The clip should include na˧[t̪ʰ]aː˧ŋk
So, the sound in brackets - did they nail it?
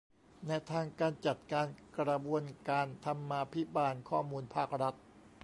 yes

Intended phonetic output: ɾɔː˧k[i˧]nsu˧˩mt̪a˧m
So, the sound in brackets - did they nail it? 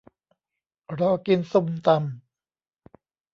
yes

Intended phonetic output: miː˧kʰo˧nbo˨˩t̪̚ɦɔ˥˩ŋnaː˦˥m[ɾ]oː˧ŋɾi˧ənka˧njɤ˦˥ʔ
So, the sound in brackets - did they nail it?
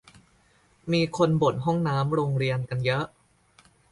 yes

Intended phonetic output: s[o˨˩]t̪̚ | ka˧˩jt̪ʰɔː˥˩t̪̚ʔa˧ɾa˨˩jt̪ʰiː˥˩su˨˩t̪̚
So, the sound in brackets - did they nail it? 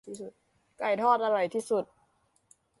no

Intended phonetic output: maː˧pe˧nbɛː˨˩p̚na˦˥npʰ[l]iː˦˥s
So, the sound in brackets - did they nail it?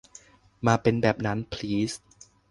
yes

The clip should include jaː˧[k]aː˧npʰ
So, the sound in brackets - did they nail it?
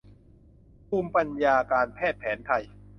yes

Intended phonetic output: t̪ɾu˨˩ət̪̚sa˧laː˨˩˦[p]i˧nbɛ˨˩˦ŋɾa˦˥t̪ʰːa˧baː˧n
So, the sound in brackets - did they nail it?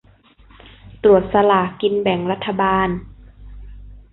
no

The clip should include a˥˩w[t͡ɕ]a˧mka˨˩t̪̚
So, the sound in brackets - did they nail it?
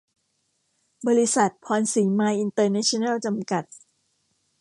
yes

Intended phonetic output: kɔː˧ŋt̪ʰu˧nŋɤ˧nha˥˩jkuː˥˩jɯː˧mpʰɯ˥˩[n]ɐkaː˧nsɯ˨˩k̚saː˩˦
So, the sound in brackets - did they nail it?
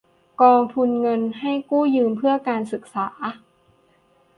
no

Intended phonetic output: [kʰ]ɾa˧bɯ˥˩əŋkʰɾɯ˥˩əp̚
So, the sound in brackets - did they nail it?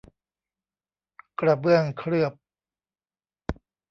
no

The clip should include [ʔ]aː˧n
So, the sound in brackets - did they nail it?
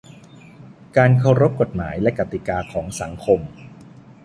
no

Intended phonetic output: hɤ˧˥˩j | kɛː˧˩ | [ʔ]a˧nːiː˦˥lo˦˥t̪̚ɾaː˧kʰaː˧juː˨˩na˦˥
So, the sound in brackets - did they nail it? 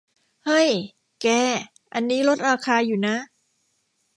yes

